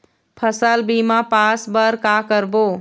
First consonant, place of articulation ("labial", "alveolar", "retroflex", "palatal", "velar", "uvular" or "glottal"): labial